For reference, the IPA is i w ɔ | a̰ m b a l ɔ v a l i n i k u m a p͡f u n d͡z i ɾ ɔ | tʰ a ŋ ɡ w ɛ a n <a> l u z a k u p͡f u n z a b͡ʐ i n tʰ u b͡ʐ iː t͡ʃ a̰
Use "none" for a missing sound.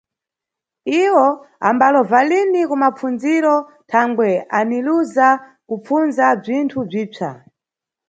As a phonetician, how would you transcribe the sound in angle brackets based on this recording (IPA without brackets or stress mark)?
i